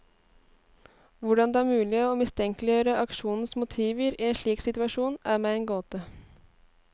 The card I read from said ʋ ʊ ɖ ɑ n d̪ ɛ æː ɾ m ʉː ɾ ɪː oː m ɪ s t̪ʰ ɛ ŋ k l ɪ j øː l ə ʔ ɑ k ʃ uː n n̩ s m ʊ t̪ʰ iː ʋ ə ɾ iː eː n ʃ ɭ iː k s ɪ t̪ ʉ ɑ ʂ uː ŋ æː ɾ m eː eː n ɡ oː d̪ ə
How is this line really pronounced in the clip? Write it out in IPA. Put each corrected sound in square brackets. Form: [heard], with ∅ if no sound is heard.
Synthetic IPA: ʋ ʊ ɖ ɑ n d̪ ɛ æː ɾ m ʉː [l] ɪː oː m ɪ s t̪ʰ ɛ ŋ k l ɪ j øː [ɾ] ə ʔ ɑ k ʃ uː n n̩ s m ʊ t̪ʰ iː ʋ ə ɾ iː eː n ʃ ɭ iː k s ɪ t̪ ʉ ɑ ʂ uː [n] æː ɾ m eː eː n ɡ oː [t̪] ə